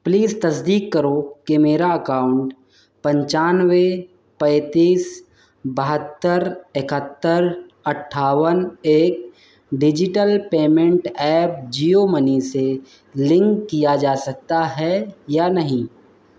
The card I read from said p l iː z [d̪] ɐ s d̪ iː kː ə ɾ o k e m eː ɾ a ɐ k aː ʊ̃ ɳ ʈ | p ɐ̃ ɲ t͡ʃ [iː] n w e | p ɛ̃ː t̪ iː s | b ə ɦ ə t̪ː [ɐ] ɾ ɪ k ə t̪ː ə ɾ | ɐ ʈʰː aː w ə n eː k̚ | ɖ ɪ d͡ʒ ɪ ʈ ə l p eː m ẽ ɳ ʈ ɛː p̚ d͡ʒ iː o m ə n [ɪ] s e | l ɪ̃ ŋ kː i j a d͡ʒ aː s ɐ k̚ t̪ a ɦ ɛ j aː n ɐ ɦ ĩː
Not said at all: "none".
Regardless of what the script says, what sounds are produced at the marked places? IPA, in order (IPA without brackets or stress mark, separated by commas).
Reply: t̪, aː, ə, i